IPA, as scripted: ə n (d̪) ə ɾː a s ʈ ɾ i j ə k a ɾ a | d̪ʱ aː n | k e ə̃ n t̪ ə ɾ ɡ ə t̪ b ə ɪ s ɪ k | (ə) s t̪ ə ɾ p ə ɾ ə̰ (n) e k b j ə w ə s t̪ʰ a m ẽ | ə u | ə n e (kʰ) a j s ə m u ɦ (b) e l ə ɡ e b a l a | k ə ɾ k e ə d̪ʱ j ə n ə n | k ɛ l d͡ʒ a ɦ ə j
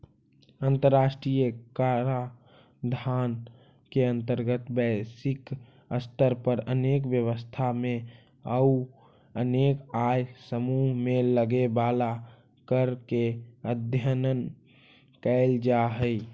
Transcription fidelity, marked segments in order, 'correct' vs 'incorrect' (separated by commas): incorrect, correct, correct, incorrect, incorrect